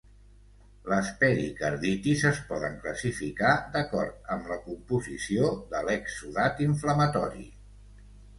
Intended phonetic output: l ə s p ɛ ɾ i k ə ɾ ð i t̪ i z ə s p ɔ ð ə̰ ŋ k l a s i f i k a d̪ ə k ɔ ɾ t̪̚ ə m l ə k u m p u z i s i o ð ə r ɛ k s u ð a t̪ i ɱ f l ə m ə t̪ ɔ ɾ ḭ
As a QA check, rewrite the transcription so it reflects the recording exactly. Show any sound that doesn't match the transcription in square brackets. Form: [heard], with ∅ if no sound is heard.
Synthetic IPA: l ə s p ɛ ɾ i k ə ɾ ð i t̪ i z ə s p ɔ ð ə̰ ŋ k l [ə] s i f i k a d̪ ə k ɔ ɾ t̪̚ ə m l ə k u m p u z i s i o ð ə [l] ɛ k s u ð a t̪ i ɱ f l ə m ə t̪ ɔ ɾ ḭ